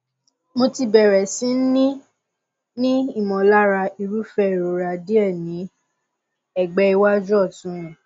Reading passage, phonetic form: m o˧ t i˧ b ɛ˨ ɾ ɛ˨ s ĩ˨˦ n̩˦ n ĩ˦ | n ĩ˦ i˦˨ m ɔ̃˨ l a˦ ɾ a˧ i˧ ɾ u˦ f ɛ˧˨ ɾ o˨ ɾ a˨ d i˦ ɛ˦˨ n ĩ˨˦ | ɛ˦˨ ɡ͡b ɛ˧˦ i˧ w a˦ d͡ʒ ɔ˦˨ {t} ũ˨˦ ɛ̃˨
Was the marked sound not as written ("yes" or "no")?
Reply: no